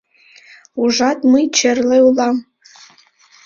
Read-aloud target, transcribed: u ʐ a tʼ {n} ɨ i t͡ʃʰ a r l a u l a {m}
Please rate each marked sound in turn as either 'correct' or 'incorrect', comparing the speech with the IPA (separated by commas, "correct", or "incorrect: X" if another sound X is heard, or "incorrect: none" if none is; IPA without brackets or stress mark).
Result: incorrect: m, correct